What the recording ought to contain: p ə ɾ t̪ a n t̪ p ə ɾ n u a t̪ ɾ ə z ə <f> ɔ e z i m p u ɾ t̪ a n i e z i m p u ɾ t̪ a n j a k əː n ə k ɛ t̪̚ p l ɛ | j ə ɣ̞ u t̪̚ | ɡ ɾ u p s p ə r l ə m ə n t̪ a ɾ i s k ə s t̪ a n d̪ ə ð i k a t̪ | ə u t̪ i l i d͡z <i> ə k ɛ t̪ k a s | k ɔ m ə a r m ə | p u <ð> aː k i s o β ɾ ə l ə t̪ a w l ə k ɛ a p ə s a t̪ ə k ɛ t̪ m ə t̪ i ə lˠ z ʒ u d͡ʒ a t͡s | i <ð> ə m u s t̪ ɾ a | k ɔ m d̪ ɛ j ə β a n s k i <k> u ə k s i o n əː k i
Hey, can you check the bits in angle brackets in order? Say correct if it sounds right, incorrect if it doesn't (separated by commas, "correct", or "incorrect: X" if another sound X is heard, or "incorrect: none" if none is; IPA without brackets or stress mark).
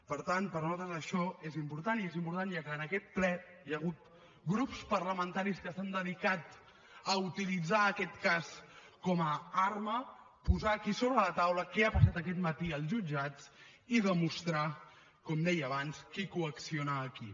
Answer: incorrect: ʃ, incorrect: a, incorrect: z, correct, correct